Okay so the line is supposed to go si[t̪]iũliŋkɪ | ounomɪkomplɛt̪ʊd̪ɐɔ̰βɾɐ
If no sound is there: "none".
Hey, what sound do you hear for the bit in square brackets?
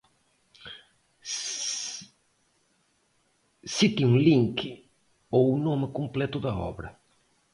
t̪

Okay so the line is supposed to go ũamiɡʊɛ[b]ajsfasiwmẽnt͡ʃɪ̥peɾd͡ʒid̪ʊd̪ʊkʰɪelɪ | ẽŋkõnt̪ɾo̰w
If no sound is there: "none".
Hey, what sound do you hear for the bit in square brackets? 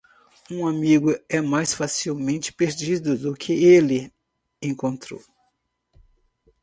m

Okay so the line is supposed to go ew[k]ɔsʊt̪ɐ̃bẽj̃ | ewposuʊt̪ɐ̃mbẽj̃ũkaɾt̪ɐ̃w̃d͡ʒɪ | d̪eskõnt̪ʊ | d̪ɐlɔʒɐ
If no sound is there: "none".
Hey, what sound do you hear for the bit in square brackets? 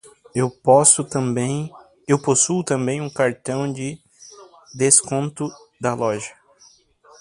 p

